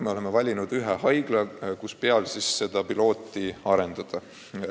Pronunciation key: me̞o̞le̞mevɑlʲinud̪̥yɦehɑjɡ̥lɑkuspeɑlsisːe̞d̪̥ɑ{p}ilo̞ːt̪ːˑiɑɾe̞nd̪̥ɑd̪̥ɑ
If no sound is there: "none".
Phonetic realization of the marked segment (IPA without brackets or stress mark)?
p